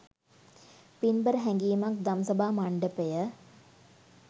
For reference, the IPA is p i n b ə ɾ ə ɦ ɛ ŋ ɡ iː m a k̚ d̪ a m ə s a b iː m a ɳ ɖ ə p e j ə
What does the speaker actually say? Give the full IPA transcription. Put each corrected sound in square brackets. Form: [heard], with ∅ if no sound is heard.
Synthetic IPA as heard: p i n b ə ɾ ə ɦ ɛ ŋ ɡ iː m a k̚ d̪ a m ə s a b [aː] m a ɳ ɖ ə p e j ə